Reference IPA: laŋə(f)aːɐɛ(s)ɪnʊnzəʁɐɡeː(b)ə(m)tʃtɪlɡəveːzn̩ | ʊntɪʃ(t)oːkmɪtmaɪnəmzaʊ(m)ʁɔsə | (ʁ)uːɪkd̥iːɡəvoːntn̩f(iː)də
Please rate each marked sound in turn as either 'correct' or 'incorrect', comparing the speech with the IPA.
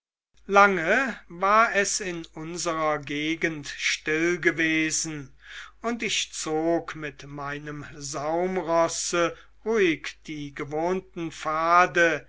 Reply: incorrect: v, correct, incorrect: ɡ, incorrect: n, incorrect: t͡s, correct, correct, incorrect: aː

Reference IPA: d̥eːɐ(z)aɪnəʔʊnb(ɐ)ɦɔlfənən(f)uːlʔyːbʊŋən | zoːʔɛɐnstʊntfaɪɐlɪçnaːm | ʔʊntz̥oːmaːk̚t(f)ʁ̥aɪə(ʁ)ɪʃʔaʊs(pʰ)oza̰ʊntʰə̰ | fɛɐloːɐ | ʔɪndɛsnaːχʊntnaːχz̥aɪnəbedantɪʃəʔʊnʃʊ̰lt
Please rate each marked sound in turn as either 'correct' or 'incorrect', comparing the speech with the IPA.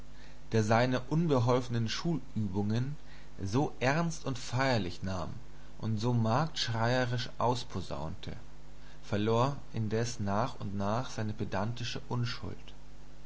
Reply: correct, incorrect: ə, incorrect: ʃ, incorrect: ʃ, correct, correct

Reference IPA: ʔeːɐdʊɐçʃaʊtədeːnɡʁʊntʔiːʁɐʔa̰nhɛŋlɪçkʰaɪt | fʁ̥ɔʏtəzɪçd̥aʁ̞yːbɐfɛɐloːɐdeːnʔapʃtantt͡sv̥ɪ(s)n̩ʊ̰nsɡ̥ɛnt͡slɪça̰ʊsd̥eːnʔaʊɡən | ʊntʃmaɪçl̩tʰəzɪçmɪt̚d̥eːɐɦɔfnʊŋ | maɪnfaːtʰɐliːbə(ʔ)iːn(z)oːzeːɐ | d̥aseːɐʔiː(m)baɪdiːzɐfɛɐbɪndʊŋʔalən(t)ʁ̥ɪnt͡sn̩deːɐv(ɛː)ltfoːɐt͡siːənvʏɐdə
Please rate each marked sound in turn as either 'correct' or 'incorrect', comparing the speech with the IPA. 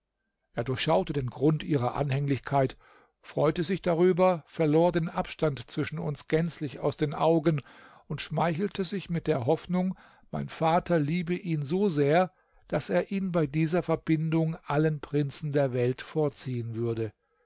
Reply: incorrect: ʃ, correct, correct, incorrect: n, incorrect: p, incorrect: ɛ

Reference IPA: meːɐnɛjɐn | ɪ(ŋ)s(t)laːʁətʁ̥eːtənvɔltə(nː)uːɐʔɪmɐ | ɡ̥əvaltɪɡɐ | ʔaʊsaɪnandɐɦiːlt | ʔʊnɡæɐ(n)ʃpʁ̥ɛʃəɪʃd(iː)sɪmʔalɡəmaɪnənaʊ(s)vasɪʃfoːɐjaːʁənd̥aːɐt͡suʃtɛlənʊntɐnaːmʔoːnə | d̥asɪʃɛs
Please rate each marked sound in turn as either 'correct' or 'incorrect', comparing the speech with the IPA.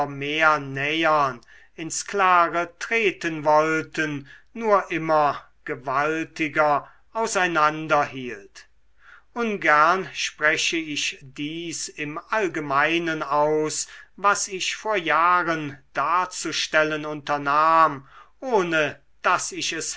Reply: incorrect: n, incorrect: k, correct, correct, correct, correct

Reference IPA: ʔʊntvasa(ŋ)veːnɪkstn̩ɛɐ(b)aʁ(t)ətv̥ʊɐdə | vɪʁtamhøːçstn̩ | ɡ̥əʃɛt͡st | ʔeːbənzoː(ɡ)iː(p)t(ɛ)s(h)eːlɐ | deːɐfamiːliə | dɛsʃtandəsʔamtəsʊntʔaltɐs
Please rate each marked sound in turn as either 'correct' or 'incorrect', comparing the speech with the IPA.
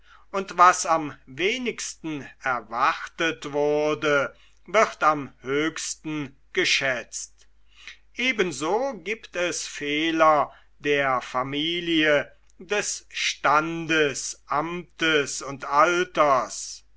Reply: incorrect: m, incorrect: v, correct, correct, correct, correct, incorrect: f

